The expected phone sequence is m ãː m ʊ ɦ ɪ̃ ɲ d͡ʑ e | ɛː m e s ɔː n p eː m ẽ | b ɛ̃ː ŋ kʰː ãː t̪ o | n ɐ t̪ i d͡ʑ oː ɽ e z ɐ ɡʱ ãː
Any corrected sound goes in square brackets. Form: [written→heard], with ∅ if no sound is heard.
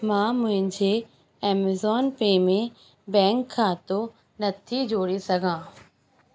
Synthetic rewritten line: m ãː m [ʊ→ʊ̃] ɦ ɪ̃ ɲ d͡ʑ e | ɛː m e [s→z] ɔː n p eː m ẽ | b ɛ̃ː ŋ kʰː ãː t̪ o | n ɐ [t̪→t̪ʰ] i d͡ʑ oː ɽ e [z→s] ɐ ɡʱ ãː